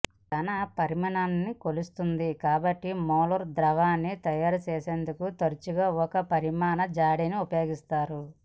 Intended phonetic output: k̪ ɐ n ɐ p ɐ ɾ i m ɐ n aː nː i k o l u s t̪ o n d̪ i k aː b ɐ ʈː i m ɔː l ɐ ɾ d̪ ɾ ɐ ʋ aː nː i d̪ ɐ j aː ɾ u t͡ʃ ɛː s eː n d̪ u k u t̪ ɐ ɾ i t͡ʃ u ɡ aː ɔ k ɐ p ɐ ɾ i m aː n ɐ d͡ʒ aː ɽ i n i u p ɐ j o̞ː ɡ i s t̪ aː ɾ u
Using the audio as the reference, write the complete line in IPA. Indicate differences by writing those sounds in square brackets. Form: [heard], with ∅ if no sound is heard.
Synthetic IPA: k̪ ɐ n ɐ p ɐ ɾ i m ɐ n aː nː i k o l u s t̪ [u] n d̪ i k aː b ɐ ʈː i m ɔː l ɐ ɾ d̪ ɾ ɐ ʋ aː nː i [t̪] ɐ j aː ɾ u t͡ʃ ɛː s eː n d̪ u k u t̪ ɐ ɾ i t͡ʃ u ɡ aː ɔ k ɐ p ɐ ɾ i m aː n ɐ d͡ʒ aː ɽ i n i u p ɐ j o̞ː ɡ i s t̪ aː ɾ u